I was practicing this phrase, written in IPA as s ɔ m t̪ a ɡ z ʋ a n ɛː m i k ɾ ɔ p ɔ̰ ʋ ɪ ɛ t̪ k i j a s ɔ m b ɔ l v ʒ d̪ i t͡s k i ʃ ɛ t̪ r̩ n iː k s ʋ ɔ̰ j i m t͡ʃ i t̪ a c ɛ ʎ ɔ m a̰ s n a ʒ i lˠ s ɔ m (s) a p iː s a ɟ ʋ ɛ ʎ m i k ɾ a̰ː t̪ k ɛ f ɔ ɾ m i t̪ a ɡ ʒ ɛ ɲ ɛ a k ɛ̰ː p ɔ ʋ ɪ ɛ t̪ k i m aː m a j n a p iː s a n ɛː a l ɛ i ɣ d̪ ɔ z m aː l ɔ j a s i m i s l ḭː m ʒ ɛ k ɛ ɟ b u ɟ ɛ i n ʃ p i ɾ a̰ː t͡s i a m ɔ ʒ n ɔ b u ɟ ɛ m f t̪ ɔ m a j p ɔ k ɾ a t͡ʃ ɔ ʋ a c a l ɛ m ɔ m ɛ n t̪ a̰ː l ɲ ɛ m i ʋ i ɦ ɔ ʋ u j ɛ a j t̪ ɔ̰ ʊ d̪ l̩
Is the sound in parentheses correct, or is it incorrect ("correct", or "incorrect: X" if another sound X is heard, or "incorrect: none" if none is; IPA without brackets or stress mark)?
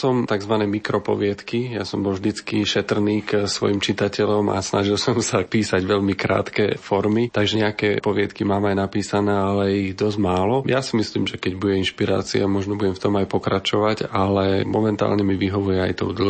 correct